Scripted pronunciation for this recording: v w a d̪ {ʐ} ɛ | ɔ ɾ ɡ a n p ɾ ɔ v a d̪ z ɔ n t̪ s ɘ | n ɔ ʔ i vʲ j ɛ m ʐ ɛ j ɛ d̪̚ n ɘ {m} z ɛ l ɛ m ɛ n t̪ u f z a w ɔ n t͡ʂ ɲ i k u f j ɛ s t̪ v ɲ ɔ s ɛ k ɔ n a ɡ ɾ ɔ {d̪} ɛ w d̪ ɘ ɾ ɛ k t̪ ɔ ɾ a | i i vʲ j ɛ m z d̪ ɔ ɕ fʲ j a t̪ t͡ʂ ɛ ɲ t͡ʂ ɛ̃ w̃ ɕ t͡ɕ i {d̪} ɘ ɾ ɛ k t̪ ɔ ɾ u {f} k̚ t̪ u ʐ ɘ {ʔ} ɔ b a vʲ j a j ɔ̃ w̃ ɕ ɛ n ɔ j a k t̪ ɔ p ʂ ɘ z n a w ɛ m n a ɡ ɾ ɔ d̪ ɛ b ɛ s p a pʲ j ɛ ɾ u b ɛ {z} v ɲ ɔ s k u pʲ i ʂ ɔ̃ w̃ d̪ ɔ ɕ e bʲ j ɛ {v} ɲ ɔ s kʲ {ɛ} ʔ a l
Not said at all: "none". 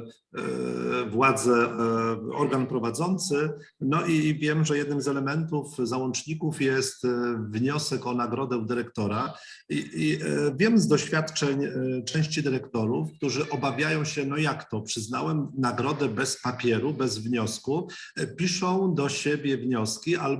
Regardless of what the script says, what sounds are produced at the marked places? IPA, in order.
z, m, d̪, d̪, f, ʔ, z, v, i

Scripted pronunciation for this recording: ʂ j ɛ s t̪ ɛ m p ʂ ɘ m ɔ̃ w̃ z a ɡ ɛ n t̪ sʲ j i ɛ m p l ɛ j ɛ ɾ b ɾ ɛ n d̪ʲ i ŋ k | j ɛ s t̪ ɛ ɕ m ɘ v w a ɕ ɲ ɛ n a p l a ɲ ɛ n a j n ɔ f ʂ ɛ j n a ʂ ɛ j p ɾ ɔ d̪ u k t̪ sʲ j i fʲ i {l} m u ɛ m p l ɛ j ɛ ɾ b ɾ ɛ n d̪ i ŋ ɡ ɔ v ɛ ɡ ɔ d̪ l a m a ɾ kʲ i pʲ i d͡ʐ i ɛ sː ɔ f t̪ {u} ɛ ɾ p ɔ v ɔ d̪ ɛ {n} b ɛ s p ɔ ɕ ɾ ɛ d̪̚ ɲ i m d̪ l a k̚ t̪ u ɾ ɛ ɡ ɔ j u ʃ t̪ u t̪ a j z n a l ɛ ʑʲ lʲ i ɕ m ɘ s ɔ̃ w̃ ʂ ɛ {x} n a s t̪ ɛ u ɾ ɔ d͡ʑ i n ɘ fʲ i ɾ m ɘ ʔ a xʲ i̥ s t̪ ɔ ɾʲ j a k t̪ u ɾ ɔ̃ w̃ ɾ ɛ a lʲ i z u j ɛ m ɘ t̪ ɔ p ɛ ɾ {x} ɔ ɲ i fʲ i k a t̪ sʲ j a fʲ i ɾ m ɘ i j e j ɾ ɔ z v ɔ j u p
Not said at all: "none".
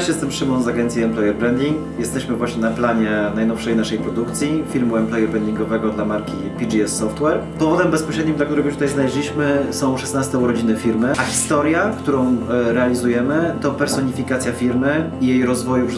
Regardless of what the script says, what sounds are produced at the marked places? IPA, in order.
ɾ, w, m, s, s

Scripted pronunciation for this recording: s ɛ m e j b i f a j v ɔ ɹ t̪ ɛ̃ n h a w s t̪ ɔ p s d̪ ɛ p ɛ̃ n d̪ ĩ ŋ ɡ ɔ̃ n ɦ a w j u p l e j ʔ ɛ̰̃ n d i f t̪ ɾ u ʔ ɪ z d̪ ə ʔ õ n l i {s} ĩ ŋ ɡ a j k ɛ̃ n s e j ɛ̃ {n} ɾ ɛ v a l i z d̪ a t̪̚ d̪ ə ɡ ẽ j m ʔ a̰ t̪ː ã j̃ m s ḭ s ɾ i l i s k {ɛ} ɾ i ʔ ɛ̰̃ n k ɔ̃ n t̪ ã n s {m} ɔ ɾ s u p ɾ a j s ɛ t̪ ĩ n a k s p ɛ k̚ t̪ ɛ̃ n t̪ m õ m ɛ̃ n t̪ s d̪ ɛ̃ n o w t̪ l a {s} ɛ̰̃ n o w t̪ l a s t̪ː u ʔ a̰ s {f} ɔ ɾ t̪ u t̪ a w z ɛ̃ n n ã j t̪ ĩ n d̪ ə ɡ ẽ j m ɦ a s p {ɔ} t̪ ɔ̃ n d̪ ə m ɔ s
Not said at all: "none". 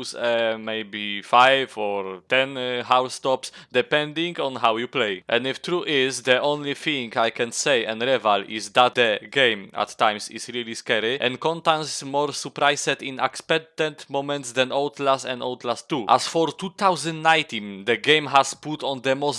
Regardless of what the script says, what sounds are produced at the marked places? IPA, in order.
θ, n, ɛ, m, s, f, u

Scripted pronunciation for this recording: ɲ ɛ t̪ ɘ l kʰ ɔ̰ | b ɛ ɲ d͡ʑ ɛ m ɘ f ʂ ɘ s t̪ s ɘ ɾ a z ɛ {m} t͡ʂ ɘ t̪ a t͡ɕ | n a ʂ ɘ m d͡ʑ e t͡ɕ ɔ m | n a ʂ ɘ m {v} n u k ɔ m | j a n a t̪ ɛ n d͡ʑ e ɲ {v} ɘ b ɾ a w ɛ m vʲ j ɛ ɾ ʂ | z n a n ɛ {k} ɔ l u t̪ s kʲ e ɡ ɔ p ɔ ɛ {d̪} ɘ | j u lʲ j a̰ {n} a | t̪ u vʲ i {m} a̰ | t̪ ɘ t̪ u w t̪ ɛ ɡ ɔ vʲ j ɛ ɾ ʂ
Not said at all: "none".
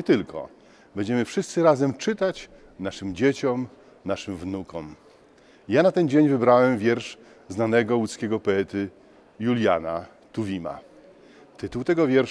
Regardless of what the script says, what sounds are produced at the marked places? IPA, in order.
m, v, v, ɡ, t̪, n, m

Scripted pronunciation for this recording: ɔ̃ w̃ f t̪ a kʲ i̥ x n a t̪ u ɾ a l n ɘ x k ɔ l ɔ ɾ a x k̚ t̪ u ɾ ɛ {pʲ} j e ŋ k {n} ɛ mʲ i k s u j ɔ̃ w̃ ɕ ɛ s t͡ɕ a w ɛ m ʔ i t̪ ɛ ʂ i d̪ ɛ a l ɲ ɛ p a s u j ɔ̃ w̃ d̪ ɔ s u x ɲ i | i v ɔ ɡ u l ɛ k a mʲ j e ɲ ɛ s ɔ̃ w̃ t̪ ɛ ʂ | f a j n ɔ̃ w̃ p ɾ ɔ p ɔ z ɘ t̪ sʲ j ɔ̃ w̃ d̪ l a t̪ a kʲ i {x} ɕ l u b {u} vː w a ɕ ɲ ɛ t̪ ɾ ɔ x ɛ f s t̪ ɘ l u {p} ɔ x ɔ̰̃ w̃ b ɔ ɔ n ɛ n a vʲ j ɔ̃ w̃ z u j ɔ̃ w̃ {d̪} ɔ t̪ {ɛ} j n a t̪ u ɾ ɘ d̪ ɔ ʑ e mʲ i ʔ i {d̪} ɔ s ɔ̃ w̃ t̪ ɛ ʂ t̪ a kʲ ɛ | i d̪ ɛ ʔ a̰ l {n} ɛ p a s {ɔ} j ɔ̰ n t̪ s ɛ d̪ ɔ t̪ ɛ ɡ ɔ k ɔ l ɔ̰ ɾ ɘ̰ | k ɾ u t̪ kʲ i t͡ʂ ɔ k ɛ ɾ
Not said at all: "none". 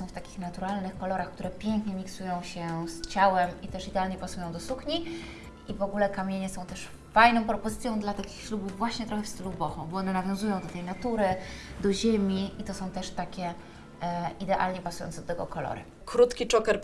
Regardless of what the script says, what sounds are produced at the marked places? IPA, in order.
pʲ, ɲ, x, u, b, d̪, ɛ, t̪, ɲ, u

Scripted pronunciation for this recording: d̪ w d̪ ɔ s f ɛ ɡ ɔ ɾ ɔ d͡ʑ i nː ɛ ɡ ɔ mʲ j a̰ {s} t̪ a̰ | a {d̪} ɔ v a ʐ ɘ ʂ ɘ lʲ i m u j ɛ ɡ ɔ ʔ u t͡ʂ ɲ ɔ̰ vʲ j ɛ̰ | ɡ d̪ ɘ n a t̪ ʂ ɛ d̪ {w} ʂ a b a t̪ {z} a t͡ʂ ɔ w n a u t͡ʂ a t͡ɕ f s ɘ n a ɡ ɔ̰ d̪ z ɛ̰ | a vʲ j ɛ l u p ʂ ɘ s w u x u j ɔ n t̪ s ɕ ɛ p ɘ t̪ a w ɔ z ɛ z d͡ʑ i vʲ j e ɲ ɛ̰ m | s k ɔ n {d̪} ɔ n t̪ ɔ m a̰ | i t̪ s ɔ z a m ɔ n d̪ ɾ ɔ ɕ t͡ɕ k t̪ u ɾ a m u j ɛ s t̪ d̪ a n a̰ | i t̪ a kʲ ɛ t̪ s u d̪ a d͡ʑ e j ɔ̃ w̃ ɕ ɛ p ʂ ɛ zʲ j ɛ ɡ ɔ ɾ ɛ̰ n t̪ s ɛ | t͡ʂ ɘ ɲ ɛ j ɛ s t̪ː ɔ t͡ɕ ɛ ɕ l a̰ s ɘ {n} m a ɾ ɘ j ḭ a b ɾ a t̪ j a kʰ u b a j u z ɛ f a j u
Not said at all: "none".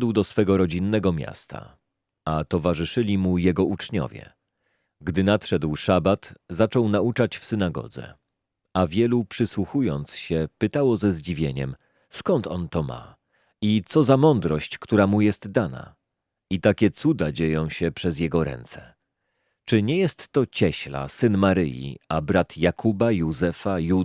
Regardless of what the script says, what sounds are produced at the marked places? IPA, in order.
s, t̪, w, z, t̪, n

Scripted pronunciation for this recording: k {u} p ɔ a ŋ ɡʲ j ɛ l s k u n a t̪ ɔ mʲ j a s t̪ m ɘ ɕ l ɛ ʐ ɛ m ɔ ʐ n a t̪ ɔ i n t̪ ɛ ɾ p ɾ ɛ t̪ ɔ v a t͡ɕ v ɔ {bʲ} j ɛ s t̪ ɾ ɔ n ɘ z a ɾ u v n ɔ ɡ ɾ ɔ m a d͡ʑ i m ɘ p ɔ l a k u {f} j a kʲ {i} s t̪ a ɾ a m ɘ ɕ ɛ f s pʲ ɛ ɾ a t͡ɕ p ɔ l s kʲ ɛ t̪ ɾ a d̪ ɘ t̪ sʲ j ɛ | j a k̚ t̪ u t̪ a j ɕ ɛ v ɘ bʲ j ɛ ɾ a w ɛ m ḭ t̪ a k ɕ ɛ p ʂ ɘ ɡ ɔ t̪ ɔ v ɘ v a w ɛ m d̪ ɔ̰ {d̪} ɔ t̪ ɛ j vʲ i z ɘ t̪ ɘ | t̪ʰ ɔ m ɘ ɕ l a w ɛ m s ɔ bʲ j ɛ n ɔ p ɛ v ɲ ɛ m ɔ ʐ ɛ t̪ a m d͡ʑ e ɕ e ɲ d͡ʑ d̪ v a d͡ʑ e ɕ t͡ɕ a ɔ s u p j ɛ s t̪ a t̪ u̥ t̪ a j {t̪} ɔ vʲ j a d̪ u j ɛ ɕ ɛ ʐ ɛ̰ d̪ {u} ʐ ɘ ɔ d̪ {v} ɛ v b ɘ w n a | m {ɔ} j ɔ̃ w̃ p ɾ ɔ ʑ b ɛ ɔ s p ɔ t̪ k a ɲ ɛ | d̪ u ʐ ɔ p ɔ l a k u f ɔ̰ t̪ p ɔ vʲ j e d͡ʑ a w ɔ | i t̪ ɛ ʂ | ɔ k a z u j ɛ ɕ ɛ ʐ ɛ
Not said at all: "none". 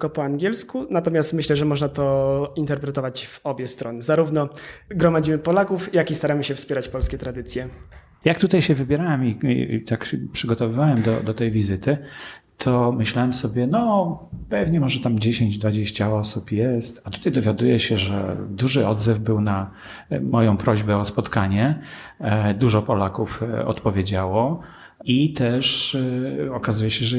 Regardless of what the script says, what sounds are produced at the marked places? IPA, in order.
ɔ, bʲ, f, i, d̪, d̪, u, z, ɔ

